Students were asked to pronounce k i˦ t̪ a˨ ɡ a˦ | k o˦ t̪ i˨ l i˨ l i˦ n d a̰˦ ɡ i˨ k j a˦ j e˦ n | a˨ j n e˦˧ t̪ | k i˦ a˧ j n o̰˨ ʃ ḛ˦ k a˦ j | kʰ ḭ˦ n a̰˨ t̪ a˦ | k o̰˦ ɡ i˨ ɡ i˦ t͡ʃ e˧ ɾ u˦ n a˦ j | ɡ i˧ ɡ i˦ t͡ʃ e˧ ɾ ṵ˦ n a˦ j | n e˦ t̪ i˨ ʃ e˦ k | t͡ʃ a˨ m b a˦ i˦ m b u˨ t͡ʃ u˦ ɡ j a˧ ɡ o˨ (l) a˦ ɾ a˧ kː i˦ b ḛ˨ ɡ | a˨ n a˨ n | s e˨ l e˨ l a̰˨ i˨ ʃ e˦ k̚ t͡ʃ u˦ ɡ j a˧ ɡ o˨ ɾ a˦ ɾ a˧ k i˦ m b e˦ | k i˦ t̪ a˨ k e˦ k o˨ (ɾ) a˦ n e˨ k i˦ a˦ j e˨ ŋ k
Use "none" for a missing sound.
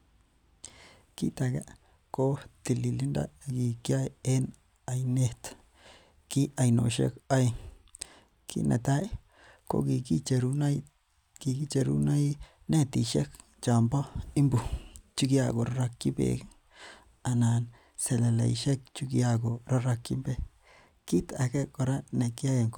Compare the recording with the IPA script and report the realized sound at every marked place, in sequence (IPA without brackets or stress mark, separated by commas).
ɾ, ɾ